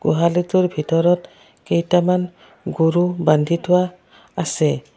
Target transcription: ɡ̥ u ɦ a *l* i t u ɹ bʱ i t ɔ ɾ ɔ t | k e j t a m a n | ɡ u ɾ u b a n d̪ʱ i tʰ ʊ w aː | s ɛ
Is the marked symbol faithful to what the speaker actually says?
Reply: yes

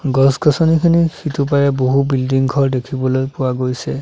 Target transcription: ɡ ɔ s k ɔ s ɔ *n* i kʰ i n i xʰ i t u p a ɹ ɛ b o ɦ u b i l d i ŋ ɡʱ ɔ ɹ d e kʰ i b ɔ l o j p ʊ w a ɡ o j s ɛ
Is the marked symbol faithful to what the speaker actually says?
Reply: yes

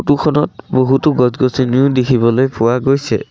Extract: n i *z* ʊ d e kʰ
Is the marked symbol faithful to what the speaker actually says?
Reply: no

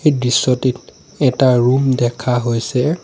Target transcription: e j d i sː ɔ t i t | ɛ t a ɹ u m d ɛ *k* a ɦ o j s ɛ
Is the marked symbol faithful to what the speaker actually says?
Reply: no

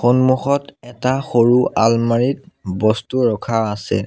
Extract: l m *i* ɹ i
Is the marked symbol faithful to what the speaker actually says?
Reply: no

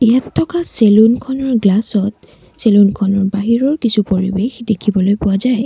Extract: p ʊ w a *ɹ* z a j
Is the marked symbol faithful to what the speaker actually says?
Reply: no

